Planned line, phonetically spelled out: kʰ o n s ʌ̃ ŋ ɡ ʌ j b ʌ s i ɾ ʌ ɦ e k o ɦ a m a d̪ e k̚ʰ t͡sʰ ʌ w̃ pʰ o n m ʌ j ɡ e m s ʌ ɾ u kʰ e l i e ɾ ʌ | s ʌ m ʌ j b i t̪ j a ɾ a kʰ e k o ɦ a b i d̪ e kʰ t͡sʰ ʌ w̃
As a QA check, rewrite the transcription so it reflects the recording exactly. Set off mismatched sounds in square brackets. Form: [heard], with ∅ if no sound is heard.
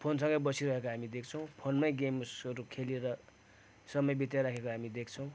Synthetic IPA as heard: [pʰ] o n s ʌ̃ ŋ ɡ ʌ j b ʌ s i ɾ ʌ ɦ e k o ɦ a m [i] d̪ e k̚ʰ t͡sʰ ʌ w̃ pʰ o n m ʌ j ɡ e m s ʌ ɾ u kʰ e l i e ɾ ʌ | s ʌ m ʌ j b i t̪ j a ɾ a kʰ e k o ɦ a [m] i d̪ e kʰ t͡sʰ ʌ w̃

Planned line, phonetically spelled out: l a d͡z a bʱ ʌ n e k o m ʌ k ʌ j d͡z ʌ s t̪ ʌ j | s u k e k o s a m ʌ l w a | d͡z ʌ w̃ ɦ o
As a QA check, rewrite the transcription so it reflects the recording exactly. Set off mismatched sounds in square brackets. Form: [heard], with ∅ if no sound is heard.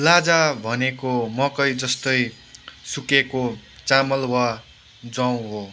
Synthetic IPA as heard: l a d͡z a bʱ ʌ n e k o m ʌ k ʌ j d͡z ʌ s t̪ ʌ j | s u k e k o [t͡s] a m ʌ l w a | d͡z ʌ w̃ ɦ o

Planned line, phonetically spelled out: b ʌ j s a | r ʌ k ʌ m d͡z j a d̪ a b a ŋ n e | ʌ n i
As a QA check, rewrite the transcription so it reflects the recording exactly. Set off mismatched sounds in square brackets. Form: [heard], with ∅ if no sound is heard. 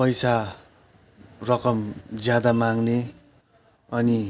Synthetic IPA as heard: [p] ʌ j s a | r ʌ k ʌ m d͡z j a d̪ a [m] a ŋ n e | ʌ n i

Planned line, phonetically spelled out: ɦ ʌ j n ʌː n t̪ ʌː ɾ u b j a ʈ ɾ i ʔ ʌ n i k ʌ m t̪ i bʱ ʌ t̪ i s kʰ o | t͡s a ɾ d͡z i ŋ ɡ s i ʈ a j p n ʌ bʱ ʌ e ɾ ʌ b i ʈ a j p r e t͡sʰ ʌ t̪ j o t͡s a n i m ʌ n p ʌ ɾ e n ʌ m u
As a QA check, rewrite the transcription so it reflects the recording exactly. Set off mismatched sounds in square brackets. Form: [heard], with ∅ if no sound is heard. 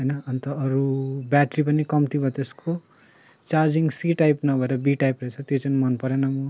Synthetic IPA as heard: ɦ ʌ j n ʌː n t̪ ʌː ɾ u b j a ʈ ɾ i [p] ʌ n i k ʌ m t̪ i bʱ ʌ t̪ [e] s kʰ o | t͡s a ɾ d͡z i ŋ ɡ s i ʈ a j p n ʌ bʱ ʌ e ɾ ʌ b i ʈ a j p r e t͡sʰ ʌ t̪ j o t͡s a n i m ʌ n p ʌ ɾ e n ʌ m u

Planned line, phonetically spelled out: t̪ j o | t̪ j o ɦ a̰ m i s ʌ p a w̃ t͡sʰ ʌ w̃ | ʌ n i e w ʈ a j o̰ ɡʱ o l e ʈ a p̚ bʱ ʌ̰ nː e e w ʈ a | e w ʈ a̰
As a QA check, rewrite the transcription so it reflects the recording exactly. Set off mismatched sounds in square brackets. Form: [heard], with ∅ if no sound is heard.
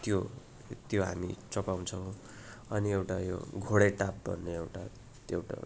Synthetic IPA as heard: t̪ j o | t̪ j o ɦ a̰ m i [t͡s] ʌ p a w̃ t͡sʰ ʌ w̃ | ʌ n i e w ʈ a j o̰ ɡʱ o [ɽ] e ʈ a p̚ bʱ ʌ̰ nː e e w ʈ a | e w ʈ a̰

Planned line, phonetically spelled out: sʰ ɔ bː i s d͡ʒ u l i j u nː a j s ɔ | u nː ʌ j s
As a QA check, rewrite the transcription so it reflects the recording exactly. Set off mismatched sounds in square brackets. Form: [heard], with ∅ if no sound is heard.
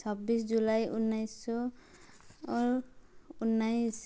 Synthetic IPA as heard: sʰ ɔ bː i s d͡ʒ u l [a] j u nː a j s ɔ | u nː [a] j s

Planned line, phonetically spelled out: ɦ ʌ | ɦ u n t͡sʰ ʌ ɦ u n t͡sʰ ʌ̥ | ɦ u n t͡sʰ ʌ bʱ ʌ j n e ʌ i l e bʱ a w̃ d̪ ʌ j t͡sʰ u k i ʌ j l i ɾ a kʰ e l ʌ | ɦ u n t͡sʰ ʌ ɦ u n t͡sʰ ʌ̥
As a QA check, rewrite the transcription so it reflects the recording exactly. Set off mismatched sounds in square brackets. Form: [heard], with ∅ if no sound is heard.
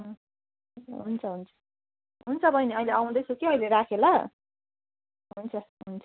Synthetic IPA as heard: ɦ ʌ | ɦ u n t͡sʰ ʌ ɦ u n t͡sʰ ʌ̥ | ɦ u n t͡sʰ ʌ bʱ ʌ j n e ʌ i l e [∅] a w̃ d̪ ʌ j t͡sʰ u k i ʌ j l [e] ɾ a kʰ e l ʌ | ɦ u n t͡sʰ ʌ ɦ u n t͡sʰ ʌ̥

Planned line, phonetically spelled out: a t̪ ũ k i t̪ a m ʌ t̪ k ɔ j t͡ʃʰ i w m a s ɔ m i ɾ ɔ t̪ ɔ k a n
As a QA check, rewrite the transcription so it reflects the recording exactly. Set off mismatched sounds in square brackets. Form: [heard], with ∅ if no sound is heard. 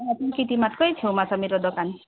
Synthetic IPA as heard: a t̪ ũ k i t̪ [i] m [a] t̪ k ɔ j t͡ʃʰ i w m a s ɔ m i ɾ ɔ [d̪] ɔ k a n

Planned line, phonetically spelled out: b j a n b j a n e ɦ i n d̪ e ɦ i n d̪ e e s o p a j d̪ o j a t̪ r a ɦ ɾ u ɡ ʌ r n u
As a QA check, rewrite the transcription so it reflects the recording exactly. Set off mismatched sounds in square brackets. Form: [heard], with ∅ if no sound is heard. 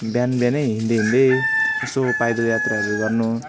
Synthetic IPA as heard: b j a n b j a n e ɦ i n d̪ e ɦ i n d̪ e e s o p a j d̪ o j a t̪ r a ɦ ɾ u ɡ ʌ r n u

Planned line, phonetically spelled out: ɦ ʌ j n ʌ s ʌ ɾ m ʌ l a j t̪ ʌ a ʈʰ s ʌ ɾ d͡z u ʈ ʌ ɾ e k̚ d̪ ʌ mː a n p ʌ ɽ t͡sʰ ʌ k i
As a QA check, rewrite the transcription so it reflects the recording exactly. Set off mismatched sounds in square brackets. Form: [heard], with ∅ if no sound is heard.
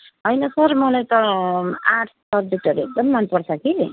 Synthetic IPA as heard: ɦ ʌ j n ʌ s ʌ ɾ m ʌ l a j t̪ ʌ a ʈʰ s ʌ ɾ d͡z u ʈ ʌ ɾ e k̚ d̪ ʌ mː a n p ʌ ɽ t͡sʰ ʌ k i

